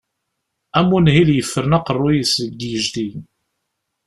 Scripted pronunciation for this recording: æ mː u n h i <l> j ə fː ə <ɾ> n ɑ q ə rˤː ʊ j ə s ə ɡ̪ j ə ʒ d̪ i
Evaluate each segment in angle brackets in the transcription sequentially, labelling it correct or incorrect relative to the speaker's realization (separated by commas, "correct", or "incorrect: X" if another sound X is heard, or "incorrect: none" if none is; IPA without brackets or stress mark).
correct, correct